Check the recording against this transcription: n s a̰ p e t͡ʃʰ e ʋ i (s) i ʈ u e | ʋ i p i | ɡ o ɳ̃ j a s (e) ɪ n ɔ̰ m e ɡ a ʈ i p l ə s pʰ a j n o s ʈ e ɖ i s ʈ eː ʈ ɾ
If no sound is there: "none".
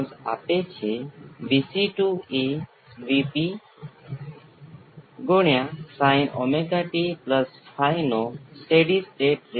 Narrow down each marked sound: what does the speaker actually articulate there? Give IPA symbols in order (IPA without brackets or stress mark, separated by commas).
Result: s, a